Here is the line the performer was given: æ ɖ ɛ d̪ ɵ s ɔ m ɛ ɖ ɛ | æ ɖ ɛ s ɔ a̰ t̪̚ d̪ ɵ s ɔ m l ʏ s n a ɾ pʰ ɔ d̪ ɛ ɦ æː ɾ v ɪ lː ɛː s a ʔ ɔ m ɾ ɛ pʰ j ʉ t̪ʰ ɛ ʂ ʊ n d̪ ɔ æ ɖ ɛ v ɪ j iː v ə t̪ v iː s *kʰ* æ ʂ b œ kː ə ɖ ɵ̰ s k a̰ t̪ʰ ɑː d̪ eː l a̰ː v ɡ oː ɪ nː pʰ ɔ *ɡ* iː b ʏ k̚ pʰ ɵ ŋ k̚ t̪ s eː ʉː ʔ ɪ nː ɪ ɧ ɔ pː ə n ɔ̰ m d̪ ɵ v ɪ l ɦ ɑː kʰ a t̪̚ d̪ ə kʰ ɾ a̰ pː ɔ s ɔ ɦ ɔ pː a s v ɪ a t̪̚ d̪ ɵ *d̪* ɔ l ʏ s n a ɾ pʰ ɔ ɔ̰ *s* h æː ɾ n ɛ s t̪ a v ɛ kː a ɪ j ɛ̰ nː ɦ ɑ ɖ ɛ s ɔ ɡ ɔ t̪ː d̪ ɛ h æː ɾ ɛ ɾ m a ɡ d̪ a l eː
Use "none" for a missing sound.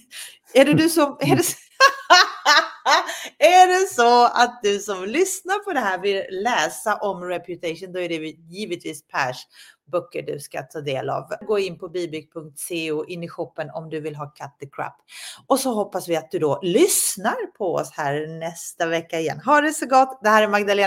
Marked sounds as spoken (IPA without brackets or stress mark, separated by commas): pʰ, b, d̪, s